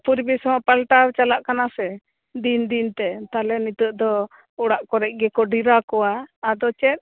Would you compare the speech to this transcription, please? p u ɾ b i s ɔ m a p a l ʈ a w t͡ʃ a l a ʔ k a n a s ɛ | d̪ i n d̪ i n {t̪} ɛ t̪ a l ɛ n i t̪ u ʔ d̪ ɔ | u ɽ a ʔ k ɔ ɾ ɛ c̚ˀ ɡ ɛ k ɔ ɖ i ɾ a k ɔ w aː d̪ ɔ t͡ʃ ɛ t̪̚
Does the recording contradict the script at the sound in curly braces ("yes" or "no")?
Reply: no